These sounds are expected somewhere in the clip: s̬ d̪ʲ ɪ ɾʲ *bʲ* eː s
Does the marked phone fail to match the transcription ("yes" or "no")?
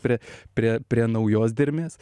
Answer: yes